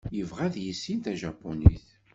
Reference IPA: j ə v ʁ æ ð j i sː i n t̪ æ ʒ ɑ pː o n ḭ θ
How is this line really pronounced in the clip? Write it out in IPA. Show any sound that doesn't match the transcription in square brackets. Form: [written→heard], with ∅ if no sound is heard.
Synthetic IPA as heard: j ə v ʁ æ ð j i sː i n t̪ æ ʒ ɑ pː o n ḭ θ